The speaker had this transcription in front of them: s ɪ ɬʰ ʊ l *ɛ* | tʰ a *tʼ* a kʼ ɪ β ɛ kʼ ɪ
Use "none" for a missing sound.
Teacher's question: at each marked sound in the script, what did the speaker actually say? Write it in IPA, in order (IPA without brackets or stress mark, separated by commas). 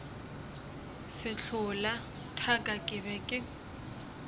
a, kʼ